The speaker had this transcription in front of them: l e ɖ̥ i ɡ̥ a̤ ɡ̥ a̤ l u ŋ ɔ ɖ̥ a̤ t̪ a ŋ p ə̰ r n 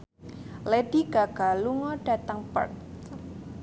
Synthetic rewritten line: l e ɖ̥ i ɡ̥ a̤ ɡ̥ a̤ l u ŋ ɔ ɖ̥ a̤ t̪ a ŋ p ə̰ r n

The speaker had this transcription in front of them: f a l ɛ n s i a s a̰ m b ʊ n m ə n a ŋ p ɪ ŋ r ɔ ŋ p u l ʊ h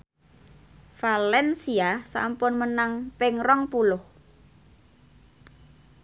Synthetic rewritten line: f a l ɛ n s i a s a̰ m p ʊ n m ə n a ŋ p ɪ ŋ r ɔ ŋ p u l ʊ h

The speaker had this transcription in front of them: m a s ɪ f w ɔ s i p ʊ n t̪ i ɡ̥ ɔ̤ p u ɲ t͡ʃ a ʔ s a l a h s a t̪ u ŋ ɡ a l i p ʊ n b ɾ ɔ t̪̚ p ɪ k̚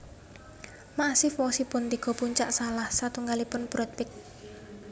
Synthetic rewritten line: m a s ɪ f w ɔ s i p ʊ n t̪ i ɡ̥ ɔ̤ p u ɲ t͡ʃ a ʔ s a l a h s a t̪ u ŋ ɡ a l i p ʊ n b ɾ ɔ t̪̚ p ɪ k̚

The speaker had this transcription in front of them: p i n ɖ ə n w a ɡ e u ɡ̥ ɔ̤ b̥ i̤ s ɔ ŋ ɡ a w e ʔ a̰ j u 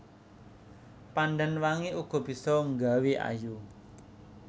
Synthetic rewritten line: p a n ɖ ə n w a ŋ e u ɡ̥ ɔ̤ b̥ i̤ s ɔ ŋ ɡ a w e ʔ a̰ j u

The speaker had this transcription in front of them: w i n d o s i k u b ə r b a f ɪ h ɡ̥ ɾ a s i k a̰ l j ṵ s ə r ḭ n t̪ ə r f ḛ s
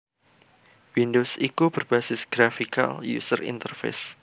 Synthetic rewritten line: w i n d o s i k u b ə r b a s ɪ s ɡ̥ ɾ a f i k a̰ l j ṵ s ə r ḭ n t̪ ə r f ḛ s

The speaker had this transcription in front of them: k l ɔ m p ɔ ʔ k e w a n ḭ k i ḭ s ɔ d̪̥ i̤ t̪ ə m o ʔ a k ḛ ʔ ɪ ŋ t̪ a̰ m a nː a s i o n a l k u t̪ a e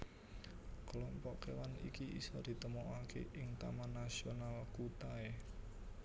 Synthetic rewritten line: k l ɔ m p ɔ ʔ k e w a n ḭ k i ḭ s ɔ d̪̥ i̤ t̪ ə m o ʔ a k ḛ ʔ ɪ ŋ t̪ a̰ m a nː a s i o n a l k u t̪ a e

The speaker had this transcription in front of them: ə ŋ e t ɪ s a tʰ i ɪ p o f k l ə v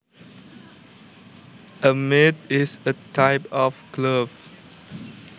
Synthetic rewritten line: ə m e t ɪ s ə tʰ a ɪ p ɔ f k l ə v

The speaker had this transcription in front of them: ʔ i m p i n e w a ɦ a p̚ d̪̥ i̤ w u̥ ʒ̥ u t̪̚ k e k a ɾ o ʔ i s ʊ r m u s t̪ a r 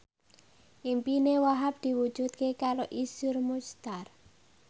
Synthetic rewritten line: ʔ i m p i n e w a ɦ a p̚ d̪̥ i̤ w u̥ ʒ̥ u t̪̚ k e k a ɾ o ʔ i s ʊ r m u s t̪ a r

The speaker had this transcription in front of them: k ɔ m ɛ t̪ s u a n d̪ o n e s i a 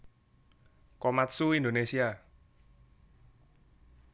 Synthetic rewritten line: k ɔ m a t̪ s u i n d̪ o n e s i a

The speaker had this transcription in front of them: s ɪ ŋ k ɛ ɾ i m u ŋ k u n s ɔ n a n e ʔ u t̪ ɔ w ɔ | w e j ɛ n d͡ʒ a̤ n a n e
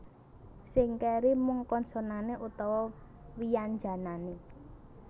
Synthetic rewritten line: s ɪ ŋ k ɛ ɾ i m u ŋ k ɔ n s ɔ n a n e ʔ u t̪ ɔ w ɔ | w i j a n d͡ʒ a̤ n a n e

